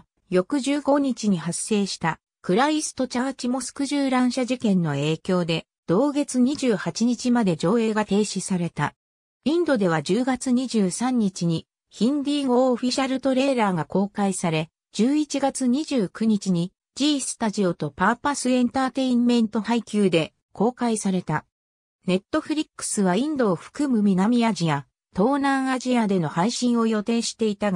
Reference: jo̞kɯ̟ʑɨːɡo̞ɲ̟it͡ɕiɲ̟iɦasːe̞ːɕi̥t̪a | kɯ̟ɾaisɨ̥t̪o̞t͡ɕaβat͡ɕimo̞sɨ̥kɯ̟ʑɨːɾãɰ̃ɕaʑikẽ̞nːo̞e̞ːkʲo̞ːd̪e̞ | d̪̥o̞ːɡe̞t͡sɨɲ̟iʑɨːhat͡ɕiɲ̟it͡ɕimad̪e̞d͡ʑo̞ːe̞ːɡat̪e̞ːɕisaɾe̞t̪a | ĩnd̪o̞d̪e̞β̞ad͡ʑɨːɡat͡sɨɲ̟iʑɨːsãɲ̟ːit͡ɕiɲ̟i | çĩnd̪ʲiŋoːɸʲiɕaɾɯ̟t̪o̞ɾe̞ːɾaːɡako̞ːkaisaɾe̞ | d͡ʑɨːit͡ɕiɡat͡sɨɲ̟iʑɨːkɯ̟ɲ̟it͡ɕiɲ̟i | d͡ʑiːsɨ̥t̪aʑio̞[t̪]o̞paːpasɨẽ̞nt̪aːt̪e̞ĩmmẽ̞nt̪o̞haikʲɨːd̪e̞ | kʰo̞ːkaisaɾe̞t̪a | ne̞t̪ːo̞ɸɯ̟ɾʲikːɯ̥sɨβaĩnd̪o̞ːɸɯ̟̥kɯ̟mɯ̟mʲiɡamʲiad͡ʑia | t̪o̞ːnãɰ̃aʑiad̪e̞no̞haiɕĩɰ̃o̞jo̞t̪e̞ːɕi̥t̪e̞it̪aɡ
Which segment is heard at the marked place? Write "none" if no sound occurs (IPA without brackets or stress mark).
t̪